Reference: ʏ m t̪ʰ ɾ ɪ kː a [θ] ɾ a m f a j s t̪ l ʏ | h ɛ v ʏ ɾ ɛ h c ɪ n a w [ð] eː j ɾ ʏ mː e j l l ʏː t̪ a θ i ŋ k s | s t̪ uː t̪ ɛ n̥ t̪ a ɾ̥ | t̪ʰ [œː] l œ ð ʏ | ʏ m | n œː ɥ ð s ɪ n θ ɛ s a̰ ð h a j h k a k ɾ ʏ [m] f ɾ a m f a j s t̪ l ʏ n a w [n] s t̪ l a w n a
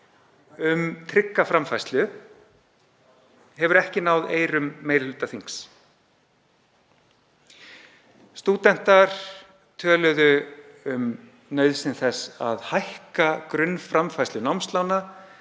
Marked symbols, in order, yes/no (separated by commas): no, yes, yes, no, no